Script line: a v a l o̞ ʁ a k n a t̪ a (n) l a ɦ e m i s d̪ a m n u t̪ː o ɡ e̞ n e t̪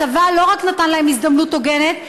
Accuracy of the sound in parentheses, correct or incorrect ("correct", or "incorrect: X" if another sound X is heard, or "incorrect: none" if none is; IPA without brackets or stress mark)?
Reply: correct